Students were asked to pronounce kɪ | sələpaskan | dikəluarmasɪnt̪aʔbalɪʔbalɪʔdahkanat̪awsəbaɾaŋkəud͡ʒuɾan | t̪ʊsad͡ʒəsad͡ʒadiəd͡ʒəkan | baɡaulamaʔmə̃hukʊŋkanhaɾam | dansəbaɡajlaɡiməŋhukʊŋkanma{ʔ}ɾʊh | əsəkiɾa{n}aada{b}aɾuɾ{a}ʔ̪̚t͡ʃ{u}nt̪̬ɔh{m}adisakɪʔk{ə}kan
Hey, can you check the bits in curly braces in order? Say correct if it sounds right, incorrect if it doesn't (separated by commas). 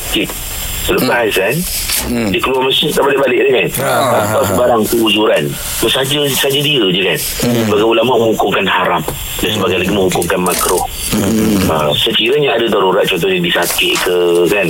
incorrect, incorrect, incorrect, correct, incorrect, incorrect, correct